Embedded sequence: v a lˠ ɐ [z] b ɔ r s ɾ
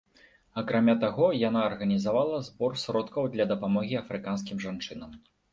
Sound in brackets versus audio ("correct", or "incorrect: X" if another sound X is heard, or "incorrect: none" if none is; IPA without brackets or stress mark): correct